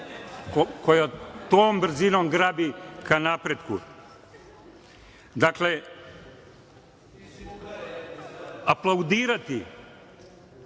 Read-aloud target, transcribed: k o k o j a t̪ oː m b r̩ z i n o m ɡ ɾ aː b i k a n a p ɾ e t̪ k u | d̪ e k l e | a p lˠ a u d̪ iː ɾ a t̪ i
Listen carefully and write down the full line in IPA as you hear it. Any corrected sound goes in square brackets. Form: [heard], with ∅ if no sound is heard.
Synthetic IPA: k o k o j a t̪ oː m b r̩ z i n o m ɡ ɾ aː b i k a n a p ɾ e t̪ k u | d̪ [a] k l e | a p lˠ a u d̪ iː ɾ a t̪ i